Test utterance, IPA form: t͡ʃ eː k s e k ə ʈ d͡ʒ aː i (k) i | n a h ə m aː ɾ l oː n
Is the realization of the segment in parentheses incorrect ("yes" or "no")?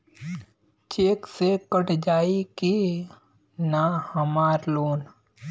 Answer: no